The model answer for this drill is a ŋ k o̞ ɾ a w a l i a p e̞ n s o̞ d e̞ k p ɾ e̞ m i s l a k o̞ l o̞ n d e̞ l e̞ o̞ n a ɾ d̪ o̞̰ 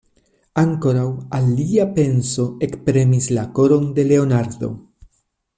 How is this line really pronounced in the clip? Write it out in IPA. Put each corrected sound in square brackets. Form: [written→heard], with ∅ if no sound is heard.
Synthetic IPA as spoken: a ŋ k o̞ ɾ a w a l i a p e̞ n s o̞ [d→∅] e̞ k p ɾ e̞ m i s l a k o̞ [l→ɾ] o̞ n d e̞ l e̞ o̞ n a ɾ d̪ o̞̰